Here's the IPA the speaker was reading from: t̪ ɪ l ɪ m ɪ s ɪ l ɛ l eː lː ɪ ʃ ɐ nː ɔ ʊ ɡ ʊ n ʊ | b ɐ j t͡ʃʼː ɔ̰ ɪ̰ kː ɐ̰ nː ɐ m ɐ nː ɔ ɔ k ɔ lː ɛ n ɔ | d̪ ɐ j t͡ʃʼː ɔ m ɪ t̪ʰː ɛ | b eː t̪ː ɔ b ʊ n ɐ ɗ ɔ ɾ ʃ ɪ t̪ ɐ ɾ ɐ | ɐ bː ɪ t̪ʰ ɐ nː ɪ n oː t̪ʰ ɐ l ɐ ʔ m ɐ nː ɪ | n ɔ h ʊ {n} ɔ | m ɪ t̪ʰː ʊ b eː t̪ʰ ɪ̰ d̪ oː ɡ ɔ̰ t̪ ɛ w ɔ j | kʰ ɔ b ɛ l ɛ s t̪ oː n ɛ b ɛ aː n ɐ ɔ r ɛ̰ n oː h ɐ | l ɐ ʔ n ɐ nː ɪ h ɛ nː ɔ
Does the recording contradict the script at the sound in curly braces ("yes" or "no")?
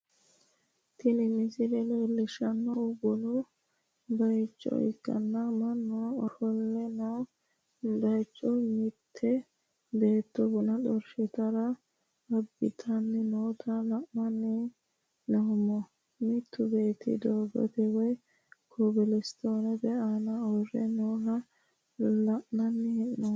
yes